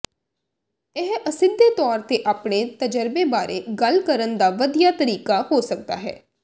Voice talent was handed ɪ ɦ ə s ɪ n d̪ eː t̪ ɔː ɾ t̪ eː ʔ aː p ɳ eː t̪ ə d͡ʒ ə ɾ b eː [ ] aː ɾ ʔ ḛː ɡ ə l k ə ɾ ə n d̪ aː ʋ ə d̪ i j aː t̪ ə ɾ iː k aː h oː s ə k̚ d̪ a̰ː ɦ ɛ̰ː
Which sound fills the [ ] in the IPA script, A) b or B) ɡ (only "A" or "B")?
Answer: A